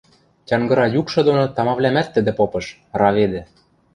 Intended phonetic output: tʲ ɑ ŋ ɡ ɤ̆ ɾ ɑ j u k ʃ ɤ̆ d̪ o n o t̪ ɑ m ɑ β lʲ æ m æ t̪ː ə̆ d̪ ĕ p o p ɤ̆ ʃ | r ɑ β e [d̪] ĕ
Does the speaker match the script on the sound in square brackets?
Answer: yes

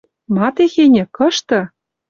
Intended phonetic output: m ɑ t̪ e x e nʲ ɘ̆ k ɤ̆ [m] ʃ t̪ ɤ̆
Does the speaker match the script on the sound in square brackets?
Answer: no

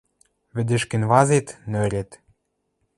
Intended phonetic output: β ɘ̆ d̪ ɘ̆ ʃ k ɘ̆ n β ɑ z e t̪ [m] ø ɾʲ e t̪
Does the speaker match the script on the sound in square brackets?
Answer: no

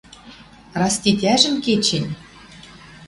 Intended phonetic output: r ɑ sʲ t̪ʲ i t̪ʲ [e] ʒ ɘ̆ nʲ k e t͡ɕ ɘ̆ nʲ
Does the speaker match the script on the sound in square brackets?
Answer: no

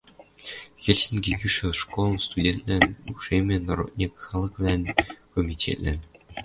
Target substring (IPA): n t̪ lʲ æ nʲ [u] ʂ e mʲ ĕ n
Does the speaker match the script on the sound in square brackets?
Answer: yes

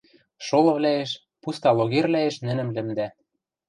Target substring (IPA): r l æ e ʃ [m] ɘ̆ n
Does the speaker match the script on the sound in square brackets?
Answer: no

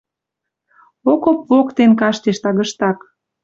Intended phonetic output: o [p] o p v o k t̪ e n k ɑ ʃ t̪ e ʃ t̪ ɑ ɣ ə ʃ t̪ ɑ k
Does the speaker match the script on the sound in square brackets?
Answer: no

